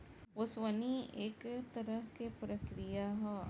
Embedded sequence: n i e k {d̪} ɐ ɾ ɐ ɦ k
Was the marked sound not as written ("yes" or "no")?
yes